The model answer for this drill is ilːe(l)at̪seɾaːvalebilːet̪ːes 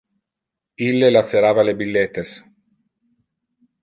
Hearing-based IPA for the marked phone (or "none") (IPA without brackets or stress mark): l